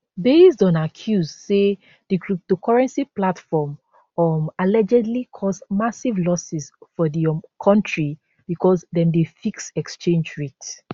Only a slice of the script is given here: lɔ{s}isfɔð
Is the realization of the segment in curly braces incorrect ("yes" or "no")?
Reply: no